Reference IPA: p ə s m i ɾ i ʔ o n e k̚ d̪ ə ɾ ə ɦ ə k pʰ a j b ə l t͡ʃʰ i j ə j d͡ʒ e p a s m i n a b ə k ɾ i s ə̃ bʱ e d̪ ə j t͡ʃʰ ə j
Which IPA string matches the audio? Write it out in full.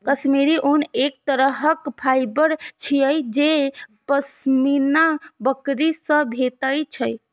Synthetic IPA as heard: k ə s m i ɾ i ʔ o n e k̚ t̪ ə ɾ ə ɦ ə k pʰ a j b ə ɾ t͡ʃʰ i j ə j d͡ʒ e p ə s m i n a b ə k ɾ i s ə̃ bʱ e t̪ ə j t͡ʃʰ ə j